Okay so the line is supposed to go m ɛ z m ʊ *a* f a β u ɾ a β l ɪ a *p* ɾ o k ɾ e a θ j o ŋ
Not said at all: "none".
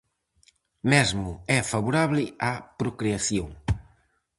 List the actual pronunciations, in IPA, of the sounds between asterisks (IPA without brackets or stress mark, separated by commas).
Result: ɛ, p